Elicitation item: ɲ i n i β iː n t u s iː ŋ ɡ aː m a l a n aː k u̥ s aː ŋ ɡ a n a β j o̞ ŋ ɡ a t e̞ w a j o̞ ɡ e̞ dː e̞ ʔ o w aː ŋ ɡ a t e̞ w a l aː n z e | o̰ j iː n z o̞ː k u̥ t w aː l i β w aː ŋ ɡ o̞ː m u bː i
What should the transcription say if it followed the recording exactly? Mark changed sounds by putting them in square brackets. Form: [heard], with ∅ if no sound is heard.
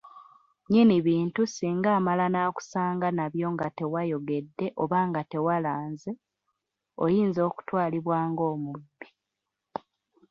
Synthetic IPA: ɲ i n i β iː n t u s iː ŋ ɡ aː m a l a n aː k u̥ s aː ŋ ɡ a n a β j o̞ ŋ ɡ a t e̞ w a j o̞ ɡ e̞ dː e̞ ʔ o [β] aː ŋ ɡ a t e̞ w a l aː n z e | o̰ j iː n z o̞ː k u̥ t w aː l i β w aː ŋ ɡ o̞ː m u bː i